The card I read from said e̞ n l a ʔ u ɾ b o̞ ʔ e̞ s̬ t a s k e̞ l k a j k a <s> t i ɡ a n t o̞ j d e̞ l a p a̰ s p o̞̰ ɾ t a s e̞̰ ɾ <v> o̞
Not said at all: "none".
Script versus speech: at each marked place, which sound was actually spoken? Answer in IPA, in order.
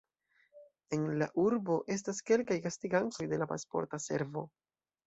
s, v

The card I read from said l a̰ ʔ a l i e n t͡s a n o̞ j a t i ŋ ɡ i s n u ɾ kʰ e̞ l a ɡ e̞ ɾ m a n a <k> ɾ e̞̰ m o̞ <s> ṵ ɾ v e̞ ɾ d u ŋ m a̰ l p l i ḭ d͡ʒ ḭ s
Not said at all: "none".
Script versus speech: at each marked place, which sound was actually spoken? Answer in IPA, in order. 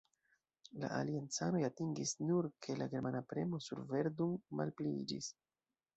p, s

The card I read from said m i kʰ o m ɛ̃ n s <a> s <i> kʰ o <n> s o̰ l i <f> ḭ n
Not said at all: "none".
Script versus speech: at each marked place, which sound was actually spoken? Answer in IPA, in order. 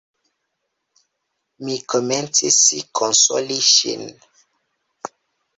i, i, n, ʃ

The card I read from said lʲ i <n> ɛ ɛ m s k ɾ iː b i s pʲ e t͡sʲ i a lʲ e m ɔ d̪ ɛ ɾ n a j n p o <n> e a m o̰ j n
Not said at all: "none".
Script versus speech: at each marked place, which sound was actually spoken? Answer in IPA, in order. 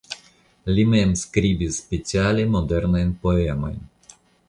m, none

